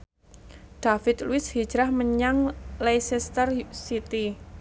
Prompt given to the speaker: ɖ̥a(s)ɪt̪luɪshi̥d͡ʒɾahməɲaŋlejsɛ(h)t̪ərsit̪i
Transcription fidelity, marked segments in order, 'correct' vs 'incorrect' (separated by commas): incorrect, incorrect